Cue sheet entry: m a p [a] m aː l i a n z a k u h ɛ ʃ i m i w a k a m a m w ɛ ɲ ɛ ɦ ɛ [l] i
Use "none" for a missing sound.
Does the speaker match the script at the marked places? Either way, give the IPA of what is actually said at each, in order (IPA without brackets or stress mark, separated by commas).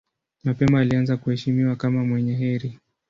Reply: ɛ, ɾ